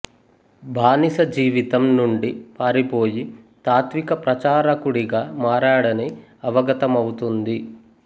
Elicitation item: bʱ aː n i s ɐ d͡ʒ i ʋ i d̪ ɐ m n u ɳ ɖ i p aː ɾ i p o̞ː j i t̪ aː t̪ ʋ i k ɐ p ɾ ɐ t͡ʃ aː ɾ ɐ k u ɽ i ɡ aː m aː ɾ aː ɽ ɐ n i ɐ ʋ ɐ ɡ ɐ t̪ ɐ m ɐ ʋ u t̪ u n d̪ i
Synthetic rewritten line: bʱ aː n i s ɐ d͡ʒ iː ʋ i t̪ ɐ m n u ɳ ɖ i p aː ɾ i p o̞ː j i t̪ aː t̪ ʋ i k ɐ p ɾ ɐ t͡ʃ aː ɾ ɐ k u ɽ i ɡ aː m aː ɾ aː ɽ ɐ n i ɐ ʋ ɐ ɡ ɐ t̪ ɐ m ɐ w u t̪ u n d̪ i